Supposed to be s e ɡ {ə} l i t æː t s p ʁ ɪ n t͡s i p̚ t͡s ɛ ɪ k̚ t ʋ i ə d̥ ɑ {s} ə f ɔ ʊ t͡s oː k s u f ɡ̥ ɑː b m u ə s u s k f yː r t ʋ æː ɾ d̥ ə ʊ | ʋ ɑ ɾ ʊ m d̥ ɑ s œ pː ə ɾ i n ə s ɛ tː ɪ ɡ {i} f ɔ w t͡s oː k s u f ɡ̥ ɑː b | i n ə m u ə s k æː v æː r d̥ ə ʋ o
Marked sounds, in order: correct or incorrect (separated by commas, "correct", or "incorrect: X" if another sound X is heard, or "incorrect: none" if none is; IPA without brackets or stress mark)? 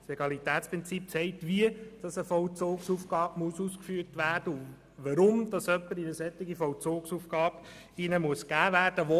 incorrect: ɑ, correct, correct